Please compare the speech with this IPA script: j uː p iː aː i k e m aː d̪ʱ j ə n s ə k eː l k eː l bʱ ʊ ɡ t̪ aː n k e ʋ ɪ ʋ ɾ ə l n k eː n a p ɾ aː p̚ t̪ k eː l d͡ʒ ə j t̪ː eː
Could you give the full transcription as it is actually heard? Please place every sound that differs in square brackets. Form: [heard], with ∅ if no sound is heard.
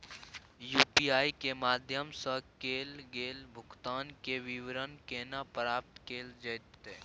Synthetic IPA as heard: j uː p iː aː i k e m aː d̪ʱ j ə [m] s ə k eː l [ɡ] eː l bʱ ʊ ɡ t̪ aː n k e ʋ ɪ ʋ ɾ ə [∅] n k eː n a p ɾ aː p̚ t̪ k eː l d͡ʒ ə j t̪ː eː